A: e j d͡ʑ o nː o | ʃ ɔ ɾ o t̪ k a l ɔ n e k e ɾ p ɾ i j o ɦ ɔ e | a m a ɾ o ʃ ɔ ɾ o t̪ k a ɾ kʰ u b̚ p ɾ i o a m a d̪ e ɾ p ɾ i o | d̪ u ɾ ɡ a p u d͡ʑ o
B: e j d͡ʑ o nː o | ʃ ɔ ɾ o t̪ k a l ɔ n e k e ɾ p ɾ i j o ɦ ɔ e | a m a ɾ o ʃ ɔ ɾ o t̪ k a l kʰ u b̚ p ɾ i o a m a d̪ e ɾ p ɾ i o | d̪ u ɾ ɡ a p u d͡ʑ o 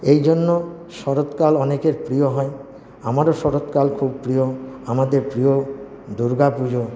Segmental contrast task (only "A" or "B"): B